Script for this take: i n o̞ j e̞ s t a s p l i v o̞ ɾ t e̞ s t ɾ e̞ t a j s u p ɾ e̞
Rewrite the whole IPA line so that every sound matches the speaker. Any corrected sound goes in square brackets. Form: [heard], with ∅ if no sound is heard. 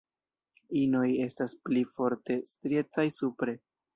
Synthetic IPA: i n o̞ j e̞ s t a s p l i [f] o̞ ɾ t e̞ s t ɾ e̞ [t͡s] a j s u p ɾ e̞